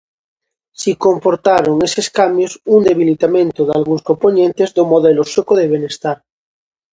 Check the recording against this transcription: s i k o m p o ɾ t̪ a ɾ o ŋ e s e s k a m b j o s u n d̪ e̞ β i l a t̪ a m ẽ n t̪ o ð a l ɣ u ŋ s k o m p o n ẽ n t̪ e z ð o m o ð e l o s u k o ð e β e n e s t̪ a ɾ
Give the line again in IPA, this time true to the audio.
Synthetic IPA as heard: s i k o m p o ɾ t̪ a ɾ o ŋ e s e s k a m b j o s u n d̪ e̞ β i l i t̪ a m ẽ n t̪ o ð a l ɣ u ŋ s k o m p o n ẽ n t̪ e z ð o m o ð e l o s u k o ð e β e n e s t̪ a ɾ